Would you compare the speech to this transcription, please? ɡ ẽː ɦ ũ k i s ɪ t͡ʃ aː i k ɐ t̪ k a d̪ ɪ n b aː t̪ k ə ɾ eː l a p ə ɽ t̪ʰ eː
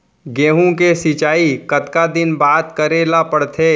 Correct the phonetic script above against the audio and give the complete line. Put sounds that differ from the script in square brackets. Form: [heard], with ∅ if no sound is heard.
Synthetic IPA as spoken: ɡ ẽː ɦ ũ k [e] s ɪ t͡ʃ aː i k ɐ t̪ k a d̪ ɪ n b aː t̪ k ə ɾ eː l a p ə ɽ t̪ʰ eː